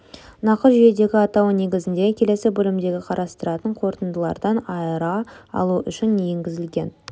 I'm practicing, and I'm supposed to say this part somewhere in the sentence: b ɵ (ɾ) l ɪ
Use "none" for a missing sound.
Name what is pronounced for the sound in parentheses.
none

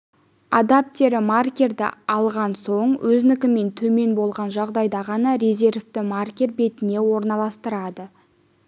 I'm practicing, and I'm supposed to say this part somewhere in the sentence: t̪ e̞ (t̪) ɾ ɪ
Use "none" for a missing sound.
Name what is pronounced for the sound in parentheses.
none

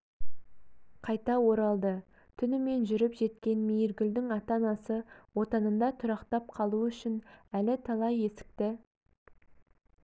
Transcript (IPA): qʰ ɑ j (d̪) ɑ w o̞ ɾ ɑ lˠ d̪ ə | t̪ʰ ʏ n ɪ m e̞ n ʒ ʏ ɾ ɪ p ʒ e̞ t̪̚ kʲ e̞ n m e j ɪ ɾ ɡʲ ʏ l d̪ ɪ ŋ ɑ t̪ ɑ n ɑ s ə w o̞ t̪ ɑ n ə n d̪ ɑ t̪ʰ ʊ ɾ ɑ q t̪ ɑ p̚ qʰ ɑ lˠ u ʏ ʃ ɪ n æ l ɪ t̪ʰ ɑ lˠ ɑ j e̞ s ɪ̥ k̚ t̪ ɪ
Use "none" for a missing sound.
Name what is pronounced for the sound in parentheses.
t̪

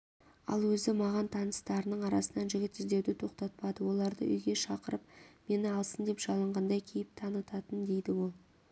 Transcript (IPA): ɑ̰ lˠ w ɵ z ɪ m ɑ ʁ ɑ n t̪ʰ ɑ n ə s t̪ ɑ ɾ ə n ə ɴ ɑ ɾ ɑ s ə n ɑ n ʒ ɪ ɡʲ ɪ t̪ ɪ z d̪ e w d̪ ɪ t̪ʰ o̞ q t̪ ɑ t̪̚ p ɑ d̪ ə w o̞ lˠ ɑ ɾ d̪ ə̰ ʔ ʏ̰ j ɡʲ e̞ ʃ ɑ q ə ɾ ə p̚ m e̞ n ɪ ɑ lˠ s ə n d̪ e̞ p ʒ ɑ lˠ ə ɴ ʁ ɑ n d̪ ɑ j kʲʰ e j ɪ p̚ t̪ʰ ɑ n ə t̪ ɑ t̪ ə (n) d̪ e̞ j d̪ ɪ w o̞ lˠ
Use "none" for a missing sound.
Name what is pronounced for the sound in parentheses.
n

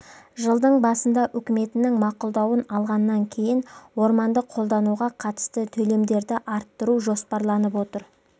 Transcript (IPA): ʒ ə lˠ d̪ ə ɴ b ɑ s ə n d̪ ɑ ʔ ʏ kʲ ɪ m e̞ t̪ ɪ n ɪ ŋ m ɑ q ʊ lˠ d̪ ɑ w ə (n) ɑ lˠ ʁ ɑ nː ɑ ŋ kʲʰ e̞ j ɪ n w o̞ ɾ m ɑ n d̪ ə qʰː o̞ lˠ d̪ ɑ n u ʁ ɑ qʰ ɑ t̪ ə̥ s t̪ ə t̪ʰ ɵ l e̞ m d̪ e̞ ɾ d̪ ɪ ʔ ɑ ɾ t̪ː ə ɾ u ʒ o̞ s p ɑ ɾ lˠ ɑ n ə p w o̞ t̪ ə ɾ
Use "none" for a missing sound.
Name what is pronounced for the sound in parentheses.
n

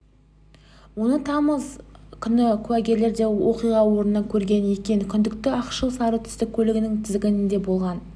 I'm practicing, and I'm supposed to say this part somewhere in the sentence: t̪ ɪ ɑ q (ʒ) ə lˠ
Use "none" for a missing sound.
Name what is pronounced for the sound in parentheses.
ʃ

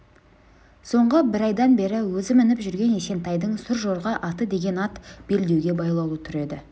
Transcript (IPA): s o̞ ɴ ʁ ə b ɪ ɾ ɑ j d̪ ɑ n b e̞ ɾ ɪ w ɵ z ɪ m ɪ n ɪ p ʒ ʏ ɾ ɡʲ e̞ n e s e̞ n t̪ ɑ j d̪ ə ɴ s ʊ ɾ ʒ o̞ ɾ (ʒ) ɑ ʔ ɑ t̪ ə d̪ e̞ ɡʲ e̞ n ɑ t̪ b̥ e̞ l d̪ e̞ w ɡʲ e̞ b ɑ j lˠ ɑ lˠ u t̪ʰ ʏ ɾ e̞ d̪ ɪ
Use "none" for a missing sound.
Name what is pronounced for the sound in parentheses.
ʁ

